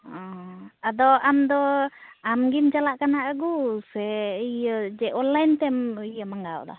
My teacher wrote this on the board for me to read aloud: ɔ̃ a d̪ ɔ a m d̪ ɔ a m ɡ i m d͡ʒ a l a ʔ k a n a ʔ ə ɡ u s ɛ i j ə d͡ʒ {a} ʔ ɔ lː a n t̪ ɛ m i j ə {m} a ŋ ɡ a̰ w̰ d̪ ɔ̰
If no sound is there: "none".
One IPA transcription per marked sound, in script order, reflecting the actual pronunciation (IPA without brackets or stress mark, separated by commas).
ɛ, m